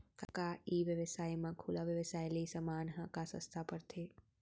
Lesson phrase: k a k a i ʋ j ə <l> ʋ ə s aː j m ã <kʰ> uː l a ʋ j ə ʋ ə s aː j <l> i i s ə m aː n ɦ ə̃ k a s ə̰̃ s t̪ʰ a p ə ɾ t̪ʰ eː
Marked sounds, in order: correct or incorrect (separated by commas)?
incorrect, correct, correct